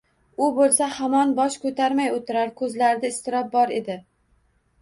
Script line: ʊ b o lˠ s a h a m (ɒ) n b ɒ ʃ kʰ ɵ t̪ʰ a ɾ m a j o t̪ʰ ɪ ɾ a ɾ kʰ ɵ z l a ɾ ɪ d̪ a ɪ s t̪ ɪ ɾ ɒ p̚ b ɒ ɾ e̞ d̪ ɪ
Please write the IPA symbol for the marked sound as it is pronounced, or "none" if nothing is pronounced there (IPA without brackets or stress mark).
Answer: ɒ